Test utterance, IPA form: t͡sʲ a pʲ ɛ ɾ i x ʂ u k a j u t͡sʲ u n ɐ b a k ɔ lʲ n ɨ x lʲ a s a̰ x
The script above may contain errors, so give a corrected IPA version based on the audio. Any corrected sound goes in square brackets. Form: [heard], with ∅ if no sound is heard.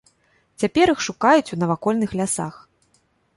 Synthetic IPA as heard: t͡sʲ a pʲ ɛ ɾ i x ʂ u k a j u t͡sʲ u n ɐ [v] a k ɔ lʲ n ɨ x lʲ a s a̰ x